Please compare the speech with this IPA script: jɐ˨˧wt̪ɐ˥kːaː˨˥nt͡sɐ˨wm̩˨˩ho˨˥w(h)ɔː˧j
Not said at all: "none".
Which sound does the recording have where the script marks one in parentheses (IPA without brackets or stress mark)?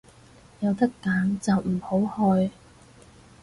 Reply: h